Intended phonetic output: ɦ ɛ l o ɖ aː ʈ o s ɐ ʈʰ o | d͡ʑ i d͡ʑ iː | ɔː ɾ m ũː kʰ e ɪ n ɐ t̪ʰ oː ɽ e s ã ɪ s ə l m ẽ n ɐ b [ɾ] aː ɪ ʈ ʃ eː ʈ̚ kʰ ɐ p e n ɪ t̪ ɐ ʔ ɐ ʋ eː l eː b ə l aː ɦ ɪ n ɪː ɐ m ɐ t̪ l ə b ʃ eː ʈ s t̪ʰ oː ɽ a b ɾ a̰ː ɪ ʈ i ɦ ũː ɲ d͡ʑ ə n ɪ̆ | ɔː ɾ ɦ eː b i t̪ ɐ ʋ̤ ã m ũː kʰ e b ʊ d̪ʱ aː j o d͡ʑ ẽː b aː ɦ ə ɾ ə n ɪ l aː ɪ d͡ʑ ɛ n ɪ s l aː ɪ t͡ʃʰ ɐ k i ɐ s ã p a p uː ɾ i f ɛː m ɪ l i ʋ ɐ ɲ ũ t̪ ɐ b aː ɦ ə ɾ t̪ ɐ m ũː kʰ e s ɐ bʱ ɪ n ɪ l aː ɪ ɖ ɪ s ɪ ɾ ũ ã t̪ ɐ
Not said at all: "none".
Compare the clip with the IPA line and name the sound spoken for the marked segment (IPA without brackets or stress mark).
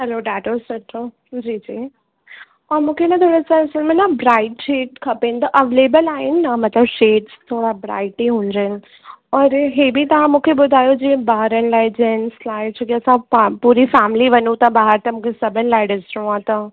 ɾ